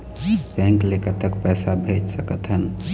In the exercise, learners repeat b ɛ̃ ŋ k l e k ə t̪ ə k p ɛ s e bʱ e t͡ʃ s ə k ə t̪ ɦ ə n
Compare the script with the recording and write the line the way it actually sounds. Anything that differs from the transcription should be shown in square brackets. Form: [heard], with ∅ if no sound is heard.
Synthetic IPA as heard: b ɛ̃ ŋ k l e k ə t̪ ə k p ɛ s [a] bʱ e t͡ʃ s ə k ə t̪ ɦ ə n